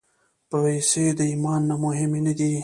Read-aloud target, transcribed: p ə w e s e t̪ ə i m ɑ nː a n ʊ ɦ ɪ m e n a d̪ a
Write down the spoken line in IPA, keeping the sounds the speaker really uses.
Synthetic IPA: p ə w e s e d̪ ə i m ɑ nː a m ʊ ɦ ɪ m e n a d̪ i